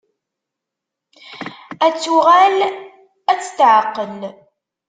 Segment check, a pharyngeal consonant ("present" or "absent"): present